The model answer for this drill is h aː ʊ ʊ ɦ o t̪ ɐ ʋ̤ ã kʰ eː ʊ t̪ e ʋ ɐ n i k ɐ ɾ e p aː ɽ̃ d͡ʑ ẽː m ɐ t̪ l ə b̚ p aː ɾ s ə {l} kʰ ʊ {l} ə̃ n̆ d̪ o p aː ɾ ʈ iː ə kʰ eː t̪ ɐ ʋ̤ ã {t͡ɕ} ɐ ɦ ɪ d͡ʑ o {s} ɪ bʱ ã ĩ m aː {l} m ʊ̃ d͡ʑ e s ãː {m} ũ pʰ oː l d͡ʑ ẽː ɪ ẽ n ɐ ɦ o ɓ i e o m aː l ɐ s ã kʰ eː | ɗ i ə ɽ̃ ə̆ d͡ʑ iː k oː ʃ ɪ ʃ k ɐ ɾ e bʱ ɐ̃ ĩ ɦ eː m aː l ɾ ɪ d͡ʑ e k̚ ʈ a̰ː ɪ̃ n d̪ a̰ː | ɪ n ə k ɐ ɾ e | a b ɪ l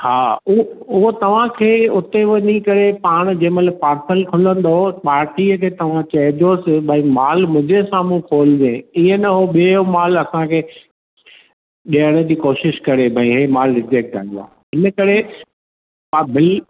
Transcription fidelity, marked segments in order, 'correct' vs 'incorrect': correct, correct, correct, correct, correct, correct

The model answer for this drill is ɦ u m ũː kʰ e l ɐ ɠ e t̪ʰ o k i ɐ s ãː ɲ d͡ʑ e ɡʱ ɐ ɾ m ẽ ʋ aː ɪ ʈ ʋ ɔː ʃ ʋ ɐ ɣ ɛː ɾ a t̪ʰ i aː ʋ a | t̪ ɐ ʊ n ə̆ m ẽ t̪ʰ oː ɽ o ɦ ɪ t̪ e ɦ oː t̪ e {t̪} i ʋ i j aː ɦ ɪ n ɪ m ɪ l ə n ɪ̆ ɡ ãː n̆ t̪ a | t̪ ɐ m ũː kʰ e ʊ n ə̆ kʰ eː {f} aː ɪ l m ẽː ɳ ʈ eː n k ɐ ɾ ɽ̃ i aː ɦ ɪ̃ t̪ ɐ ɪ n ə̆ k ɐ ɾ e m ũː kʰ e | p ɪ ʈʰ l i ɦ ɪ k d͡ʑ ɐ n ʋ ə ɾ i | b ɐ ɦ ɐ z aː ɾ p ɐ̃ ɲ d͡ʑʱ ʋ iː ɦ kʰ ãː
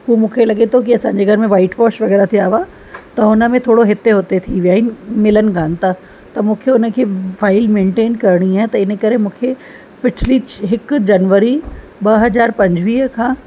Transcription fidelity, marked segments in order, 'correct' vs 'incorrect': incorrect, correct

